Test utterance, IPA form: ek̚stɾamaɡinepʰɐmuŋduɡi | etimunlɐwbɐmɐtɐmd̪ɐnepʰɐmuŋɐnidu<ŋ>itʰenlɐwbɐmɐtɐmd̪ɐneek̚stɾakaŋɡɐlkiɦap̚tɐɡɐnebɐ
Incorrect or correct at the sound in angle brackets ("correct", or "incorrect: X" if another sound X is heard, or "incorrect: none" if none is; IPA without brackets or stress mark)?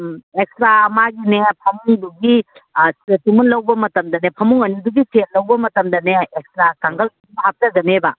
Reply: incorrect: ɡ